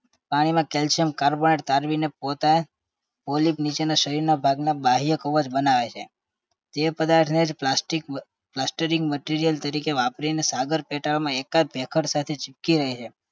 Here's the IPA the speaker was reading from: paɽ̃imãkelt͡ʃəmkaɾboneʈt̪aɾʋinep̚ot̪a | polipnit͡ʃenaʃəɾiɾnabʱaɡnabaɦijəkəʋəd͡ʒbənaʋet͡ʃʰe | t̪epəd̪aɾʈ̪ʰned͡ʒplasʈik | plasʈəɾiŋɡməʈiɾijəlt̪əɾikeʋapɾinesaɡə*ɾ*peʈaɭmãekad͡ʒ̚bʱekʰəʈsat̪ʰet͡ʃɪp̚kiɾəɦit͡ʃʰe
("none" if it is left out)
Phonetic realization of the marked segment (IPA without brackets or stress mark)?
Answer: ɾ